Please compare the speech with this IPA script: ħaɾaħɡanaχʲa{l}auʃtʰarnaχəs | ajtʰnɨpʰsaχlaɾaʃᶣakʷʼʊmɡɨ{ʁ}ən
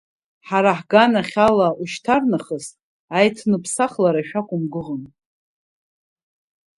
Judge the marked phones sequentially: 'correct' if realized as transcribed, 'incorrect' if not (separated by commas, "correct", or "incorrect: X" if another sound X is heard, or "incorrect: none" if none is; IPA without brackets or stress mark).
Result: correct, correct